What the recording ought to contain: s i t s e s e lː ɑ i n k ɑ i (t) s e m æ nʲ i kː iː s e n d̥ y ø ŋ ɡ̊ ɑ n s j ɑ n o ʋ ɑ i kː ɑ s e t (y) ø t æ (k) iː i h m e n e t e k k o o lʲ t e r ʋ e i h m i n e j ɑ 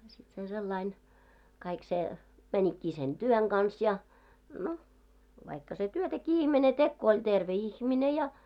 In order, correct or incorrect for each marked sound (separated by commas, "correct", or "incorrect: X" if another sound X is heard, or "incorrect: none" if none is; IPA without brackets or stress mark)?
incorrect: k, correct, correct